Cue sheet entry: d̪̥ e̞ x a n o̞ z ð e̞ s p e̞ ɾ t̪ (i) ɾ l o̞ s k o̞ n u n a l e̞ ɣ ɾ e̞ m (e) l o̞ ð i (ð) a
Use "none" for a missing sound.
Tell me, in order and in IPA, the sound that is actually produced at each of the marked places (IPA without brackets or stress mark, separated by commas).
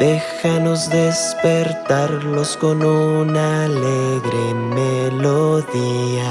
a, e, none